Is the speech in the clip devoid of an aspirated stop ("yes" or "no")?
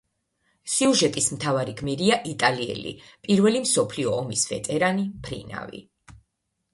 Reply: no